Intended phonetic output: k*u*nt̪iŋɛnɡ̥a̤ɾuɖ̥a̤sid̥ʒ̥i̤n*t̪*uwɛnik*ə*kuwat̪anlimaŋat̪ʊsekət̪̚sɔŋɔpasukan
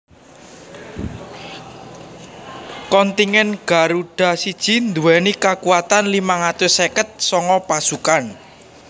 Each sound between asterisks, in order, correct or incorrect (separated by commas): incorrect, incorrect, incorrect